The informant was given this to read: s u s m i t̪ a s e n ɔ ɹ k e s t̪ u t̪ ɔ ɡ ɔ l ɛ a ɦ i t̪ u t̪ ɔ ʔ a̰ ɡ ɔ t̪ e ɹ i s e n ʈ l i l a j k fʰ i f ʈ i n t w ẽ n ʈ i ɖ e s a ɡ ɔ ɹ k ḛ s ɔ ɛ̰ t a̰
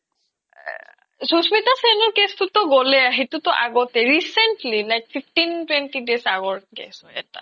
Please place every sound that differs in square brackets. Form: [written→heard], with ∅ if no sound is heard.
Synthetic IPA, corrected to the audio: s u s m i t̪ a s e n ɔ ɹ k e s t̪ u t̪ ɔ ɡ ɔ l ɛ a ɦ i t̪ u t̪ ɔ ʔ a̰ ɡ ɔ t̪ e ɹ i s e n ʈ l i l a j k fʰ i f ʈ i n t w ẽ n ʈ i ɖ e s a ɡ ɔ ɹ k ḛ s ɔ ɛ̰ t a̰

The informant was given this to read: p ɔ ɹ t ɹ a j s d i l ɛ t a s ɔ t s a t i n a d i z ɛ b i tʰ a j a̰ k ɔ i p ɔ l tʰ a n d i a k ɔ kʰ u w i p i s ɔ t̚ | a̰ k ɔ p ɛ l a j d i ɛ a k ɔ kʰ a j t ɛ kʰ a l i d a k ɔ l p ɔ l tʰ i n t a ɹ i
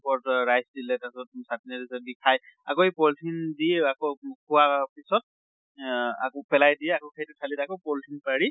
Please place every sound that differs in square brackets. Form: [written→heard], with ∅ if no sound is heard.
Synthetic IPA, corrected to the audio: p ɔ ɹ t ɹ a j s d i l ɛ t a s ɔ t s a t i n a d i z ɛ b i [tʰ→kʰ] a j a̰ k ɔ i p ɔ l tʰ [a→i] n d i a k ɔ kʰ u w [i→a] p i s ɔ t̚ | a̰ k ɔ p ɛ l a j d i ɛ a k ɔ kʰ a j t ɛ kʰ a l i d a k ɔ [l→∅] p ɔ l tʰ i n [t→p] a ɹ i

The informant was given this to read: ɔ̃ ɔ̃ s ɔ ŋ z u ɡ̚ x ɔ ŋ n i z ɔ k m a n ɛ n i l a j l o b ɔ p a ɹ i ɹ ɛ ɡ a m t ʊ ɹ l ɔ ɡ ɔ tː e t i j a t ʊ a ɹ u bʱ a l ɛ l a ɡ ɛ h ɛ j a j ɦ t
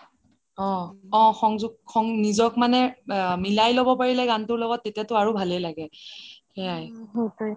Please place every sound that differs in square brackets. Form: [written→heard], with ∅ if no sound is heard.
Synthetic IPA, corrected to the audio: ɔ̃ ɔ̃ [s→x] ɔ ŋ z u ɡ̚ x ɔ ŋ n i z ɔ k m a n ɛ [n→m] i l a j l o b ɔ p a ɹ i [ɹ→l] ɛ ɡ a [m→n] t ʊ ɹ l ɔ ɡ ɔ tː e t i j a t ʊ a ɹ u bʱ a l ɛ l a ɡ ɛ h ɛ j a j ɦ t

